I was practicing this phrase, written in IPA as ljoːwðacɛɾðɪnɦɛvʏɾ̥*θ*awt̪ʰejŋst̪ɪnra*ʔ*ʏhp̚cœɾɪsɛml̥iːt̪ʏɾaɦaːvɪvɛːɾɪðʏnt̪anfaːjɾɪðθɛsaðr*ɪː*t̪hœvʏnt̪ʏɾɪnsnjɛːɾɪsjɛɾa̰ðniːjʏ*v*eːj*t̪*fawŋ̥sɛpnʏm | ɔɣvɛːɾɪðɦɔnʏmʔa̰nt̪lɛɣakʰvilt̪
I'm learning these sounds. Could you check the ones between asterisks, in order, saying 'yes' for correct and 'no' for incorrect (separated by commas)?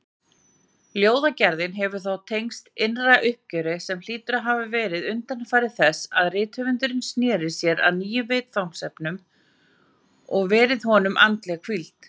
yes, yes, yes, yes, yes